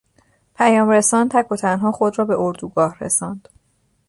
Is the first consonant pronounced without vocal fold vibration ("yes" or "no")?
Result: yes